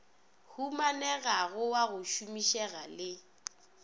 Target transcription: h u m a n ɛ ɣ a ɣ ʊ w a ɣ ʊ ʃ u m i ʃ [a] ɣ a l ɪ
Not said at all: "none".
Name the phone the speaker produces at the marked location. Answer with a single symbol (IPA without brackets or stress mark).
ɛ